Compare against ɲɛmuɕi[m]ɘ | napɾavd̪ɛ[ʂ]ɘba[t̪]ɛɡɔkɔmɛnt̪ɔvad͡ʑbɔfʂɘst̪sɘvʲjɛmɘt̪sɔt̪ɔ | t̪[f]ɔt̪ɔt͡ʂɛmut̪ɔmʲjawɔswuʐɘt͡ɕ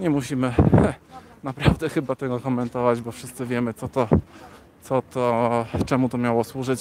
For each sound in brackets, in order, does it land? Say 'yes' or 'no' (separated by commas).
yes, no, yes, no